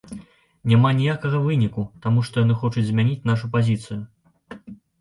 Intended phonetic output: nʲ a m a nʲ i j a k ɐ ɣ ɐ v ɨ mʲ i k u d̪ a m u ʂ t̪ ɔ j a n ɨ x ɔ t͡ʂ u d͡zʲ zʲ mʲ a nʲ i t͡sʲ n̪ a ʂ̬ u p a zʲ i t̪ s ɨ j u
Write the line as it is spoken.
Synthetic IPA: nʲ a m a nʲ i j a k ɐ ɣ ɐ v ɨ nʲ i k u t̪ a m u ʂ t̪ ɔ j a n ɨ x ɔ t͡ʂ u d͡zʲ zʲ mʲ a nʲ i t͡sʲ n̪ a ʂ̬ u p a zʲ i t̪ s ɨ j u

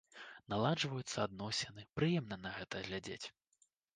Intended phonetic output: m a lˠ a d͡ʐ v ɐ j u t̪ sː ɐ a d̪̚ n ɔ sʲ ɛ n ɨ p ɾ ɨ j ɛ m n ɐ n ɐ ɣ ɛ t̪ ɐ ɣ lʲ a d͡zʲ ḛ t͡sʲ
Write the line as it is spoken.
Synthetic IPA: n a lˠ a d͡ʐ v ɐ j u t̪ sː ɐ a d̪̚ n ɔ sʲ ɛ n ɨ p ɾ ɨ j ɛ m n ɐ n ɐ ɣ ɛ t̪ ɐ ɣ lʲ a d͡zʲ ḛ t͡sʲ

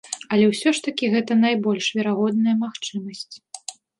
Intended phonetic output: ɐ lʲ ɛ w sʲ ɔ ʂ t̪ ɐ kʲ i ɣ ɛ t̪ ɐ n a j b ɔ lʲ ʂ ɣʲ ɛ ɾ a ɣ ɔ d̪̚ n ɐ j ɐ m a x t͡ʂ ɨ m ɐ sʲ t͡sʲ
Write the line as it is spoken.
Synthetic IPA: ɐ lʲ ɛ w sʲ ɔ ʂ t̪ ɐ kʲ i ɣ ɛ t̪ ɐ n a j b ɔ lʲ ʂ vʲ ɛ ɾ a ɣ ɔ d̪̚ n ɐ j ɐ m a x t͡ʂ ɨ m ɐ sʲ t͡sʲ

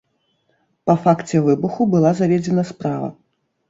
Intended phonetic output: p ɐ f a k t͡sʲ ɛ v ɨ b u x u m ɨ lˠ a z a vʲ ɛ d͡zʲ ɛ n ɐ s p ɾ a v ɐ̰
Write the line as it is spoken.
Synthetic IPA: p ɐ f a k t͡sʲ ɛ v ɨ b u x u b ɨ lˠ a z a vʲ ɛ d͡zʲ ɛ n ɐ s p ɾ a v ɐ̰

